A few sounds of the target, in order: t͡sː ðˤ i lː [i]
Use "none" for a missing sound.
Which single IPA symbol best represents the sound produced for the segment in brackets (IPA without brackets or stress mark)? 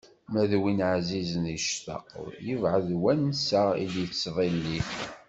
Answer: i